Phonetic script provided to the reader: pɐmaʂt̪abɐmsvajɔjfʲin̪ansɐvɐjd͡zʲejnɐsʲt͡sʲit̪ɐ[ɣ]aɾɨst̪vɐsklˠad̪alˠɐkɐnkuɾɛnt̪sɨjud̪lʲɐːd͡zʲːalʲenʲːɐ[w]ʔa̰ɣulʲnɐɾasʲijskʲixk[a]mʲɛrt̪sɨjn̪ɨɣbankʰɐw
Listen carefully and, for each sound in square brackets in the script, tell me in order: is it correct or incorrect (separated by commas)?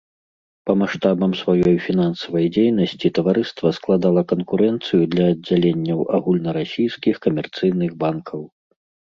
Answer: incorrect, correct, incorrect